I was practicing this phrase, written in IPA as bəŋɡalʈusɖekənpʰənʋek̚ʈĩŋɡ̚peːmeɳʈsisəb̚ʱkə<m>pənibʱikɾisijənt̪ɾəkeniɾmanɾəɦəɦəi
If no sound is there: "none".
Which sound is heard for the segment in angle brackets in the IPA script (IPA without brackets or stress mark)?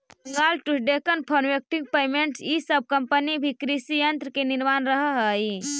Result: m